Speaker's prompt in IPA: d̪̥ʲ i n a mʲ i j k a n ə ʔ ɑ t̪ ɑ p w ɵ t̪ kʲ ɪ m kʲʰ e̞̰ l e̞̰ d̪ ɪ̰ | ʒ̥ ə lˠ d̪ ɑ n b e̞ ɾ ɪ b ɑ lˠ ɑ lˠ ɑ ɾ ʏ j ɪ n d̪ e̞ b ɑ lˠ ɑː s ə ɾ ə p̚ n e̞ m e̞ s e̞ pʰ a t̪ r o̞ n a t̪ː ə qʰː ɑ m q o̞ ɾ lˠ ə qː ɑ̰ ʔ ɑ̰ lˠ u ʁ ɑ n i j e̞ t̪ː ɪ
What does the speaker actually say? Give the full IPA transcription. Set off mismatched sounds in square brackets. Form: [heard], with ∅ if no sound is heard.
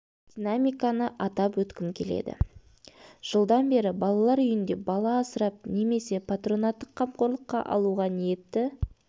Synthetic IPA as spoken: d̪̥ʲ i n a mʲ i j k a n ə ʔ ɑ t̪ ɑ p w ɵ t̪ kʲ ɪ m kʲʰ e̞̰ l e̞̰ d̪ ɪ̰ | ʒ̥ ə lˠ d̪ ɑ n b e̞ ɾ ɪ b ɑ lˠ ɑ lˠ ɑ ɾ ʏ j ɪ n d̪ e̞ b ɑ lˠ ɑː s ə ɾ [ɑ] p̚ n e̞ m e̞ s e̞ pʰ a t̪ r o̞ n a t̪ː ə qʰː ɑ m q o̞ ɾ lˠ ə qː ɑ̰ ʔ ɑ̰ lˠ u ʁ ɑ n i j e̞ t̪ː ɪ

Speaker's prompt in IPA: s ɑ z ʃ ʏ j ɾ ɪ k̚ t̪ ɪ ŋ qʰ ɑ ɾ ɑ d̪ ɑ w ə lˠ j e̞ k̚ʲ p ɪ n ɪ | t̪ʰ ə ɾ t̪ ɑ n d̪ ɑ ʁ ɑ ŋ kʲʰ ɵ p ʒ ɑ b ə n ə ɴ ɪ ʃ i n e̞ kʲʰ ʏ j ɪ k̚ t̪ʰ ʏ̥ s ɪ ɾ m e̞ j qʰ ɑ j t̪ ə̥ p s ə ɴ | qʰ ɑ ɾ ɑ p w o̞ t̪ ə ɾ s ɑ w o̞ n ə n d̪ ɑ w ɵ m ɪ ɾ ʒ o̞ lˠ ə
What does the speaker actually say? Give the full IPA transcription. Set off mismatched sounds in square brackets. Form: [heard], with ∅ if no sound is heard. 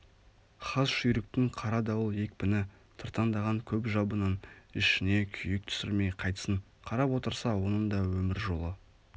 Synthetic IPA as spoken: [χ] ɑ z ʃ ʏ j ɾ ɪ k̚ t̪ ɪ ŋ qʰ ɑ ɾ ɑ d̪ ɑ w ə lˠ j e̞ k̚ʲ p ɪ n ɪ | t̪ʰ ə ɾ t̪ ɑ n d̪ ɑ ʁ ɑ ŋ kʲʰ ɵ p ʒ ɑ b ə n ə [n] ɪ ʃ [ɪ] n e̞ kʲʰ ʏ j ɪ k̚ t̪ʰ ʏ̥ s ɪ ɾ m e̞ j qʰ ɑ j t̪ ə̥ [∅] s ə ɴ | qʰ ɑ ɾ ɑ p w o̞ t̪ ə ɾ s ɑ w o̞ n ə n d̪ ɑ w ɵ m ɪ ɾ ʒ o̞ lˠ ə

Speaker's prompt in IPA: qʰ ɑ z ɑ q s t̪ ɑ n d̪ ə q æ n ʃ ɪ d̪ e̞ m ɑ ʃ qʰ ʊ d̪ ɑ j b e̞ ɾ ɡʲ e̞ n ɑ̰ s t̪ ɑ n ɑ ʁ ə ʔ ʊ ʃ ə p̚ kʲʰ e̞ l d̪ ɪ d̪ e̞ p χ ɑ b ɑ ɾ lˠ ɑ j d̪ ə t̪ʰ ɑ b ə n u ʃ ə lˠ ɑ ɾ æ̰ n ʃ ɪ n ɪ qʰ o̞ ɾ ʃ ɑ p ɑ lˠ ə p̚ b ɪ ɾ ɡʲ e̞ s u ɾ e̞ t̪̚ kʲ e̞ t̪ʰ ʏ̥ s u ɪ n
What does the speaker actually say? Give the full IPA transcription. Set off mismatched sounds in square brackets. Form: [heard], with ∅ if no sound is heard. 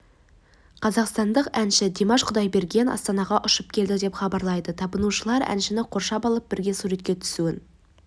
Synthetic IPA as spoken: qʰ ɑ z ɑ q s t̪ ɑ n d̪ ə q æ n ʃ ɪ d̪ e̞ m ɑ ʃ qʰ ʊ d̪ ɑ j b e̞ ɾ ɡʲ e̞ n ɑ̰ s t̪ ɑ n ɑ ʁ [ɑ] ʔ ʊ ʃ ə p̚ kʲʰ e̞ l d̪ ɪ d̪ e̞ p χ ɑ b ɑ ɾ lˠ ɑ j d̪ ə t̪ʰ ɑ b ə n u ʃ ə lˠ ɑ ɾ æ̰ n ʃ ɪ n ɪ qʰ o̞ ɾ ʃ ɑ p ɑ lˠ ə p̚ b ɪ ɾ ɡʲ e̞ s u ɾ e̞ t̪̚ kʲ e̞ t̪ʰ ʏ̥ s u ɪ n

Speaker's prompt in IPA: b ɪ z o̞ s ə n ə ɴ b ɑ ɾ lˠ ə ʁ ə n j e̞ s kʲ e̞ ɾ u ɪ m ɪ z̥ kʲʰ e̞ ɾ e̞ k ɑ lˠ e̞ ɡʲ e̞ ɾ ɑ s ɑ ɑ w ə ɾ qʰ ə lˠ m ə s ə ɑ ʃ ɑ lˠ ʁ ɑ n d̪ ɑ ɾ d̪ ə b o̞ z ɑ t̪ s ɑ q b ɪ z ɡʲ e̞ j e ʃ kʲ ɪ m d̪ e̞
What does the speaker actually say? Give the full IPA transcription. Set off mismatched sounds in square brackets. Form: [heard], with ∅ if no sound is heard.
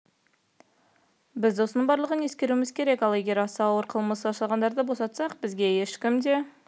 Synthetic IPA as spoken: b ɪ z o̞ s ə n ə ɴ b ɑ ɾ lˠ ə ʁ ə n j e̞ s kʲ e̞ ɾ u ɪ m ɪ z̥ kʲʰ e̞ ɾ e̞ k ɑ lˠ e̞ ɡʲ e̞ ɾ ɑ s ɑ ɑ w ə ɾ qʰ ə lˠ m ə s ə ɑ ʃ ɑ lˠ ʁ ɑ n d̪ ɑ ɾ d̪ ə b o̞ [s] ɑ t̪ s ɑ q b ɪ z ɡʲ e̞ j e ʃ kʲ ɪ m d̪ e̞

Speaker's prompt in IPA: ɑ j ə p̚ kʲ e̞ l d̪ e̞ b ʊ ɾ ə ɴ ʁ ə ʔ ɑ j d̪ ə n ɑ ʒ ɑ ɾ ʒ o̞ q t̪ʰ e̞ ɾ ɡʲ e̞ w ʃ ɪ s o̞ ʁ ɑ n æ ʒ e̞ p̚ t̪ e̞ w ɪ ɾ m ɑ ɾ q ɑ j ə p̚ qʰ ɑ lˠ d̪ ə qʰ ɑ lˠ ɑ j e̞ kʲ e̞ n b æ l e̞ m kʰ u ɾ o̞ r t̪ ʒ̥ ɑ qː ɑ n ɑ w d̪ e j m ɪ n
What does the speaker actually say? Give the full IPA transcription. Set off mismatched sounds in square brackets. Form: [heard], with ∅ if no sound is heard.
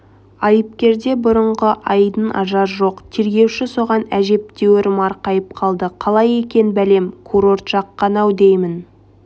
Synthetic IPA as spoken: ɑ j ə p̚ kʲ e̞ [ɾ] d̪ e̞ b ʊ ɾ ə ɴ ʁ ə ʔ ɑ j d̪ ə n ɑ ʒ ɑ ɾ ʒ o̞ q t̪ʰ e̞ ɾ ɡʲ e̞ w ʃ ɪ s o̞ ʁ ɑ n æ ʒ e̞ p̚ t̪ e̞ w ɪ ɾ m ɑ ɾ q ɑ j ə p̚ qʰ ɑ lˠ d̪ ə qʰ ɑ lˠ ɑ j e̞ kʲ e̞ n b æ l e̞ m kʰ u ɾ o̞ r t̪ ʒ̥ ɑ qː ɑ n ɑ w d̪ e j m ɪ n

